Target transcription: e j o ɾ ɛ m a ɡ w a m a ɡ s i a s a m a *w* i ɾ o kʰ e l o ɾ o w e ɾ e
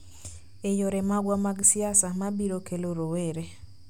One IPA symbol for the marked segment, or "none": b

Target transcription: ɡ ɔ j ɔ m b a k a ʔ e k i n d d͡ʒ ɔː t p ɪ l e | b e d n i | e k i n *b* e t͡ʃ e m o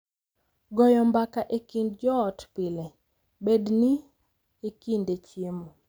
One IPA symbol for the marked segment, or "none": d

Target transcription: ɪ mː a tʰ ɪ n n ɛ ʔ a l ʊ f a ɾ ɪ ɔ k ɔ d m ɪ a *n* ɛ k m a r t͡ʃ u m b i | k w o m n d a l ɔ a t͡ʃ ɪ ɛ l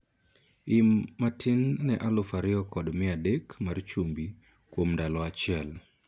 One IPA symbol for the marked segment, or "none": d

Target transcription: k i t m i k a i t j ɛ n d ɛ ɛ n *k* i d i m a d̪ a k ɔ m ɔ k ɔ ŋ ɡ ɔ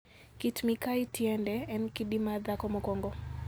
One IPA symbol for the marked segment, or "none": k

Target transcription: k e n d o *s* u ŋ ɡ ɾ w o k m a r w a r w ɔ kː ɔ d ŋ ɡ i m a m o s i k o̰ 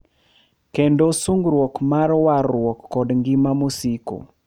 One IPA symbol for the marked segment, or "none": s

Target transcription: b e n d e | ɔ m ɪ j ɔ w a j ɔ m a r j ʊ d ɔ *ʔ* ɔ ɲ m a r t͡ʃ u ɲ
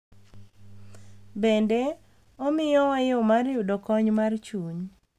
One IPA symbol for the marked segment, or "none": k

